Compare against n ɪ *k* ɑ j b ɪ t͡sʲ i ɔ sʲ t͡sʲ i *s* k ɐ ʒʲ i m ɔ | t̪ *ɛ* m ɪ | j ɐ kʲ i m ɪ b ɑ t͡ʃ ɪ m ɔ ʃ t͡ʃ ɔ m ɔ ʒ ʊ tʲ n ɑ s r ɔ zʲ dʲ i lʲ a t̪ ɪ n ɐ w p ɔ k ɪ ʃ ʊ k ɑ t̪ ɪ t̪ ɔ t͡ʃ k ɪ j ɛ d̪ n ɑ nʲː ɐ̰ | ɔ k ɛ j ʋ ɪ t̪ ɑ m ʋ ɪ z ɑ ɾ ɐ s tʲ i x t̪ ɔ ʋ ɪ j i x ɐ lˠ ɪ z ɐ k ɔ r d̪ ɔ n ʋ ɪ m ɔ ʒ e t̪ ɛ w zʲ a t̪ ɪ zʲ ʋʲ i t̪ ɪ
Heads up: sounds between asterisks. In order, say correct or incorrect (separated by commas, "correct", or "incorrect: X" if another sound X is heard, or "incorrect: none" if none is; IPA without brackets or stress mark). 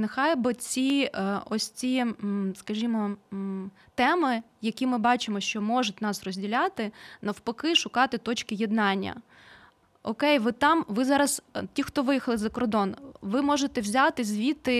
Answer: incorrect: x, correct, correct